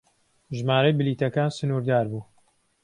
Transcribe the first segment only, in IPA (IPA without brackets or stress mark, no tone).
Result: ʒ